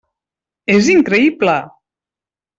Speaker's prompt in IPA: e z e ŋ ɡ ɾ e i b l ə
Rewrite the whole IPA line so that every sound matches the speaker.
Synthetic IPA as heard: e z i ŋ k ɾ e i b l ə